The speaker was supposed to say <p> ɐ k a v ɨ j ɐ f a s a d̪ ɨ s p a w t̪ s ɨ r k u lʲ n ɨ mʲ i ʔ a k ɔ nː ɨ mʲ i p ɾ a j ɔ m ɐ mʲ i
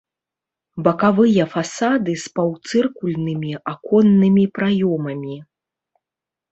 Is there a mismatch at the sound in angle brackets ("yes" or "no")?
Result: yes